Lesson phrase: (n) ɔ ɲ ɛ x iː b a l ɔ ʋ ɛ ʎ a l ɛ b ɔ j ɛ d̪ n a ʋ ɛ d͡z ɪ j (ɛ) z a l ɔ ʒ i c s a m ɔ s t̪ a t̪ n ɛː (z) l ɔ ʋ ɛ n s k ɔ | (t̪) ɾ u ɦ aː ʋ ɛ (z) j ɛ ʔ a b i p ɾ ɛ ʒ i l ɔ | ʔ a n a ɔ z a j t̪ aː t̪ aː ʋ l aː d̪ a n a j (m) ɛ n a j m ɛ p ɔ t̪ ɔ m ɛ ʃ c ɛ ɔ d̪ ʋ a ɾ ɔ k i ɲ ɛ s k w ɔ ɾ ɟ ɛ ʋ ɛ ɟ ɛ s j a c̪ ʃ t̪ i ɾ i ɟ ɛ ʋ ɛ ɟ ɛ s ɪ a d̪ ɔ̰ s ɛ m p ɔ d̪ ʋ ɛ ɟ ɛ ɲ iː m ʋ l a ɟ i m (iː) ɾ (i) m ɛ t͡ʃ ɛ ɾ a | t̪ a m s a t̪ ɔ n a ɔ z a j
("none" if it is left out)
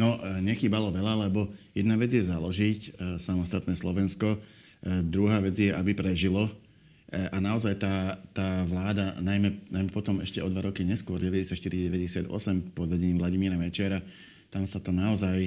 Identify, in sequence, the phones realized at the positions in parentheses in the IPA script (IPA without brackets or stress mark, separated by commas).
n, ɛ, s, d̪, d͡z, m, iː, a